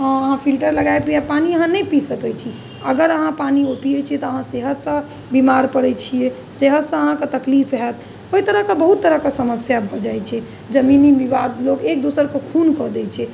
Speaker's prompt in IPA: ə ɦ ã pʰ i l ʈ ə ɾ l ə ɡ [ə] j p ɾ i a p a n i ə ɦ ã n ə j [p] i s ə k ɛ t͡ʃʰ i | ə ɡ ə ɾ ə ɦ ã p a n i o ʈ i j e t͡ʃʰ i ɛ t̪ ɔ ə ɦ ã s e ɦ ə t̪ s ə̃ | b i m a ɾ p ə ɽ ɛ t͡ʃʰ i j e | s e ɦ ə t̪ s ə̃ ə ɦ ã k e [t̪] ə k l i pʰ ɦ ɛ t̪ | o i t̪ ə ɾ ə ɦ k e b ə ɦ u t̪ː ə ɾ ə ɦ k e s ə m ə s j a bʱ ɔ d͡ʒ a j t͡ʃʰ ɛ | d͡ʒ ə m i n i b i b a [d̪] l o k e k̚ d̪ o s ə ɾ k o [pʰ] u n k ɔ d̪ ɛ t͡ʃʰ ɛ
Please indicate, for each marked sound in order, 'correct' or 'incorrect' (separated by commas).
incorrect, correct, correct, correct, incorrect